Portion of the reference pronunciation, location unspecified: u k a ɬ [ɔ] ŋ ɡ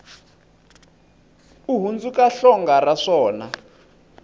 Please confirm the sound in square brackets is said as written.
yes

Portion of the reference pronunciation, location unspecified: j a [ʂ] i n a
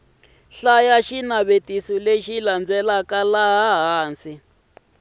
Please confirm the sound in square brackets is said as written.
no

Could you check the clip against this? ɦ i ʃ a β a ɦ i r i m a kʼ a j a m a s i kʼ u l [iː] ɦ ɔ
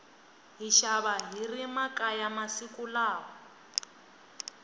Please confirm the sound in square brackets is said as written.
no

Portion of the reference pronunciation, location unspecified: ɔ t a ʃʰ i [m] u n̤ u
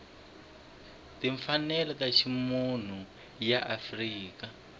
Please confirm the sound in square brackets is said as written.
yes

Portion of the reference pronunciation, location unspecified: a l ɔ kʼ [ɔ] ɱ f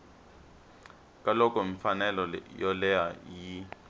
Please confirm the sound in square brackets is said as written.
yes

